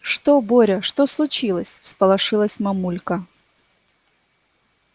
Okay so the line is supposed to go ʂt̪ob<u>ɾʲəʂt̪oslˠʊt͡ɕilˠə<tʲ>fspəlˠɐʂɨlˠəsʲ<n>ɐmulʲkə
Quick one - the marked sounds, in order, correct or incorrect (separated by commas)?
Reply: incorrect, incorrect, incorrect